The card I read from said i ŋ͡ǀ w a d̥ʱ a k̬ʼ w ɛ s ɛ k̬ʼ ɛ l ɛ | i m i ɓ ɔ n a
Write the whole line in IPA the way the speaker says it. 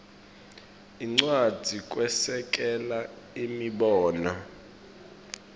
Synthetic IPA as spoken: i ŋ͡ǀ w a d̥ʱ i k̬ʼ w ɛ s ɛ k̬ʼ ɛ l a | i m i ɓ ɔː n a